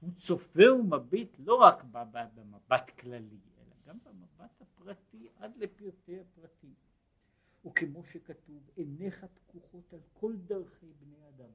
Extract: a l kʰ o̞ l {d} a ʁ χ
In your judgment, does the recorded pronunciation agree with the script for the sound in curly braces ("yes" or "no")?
yes